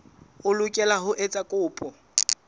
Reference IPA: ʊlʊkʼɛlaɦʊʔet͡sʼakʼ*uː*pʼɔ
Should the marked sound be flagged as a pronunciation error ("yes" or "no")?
yes